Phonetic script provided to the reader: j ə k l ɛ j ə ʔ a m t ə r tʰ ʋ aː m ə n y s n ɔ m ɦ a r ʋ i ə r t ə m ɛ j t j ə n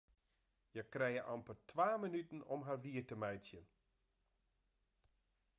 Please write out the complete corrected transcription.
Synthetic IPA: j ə k r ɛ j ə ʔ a m p ə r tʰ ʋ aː m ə n y t n ɔ m ɦ a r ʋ i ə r t ə m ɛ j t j ə n